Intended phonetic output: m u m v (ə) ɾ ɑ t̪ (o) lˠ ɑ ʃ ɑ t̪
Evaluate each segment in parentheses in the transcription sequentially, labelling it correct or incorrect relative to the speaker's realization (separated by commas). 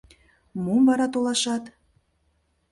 incorrect, correct